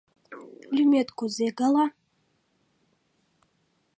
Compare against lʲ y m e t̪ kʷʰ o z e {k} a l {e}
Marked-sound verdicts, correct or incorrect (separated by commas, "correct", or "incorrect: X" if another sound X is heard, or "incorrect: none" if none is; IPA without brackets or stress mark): incorrect: ɡ, incorrect: a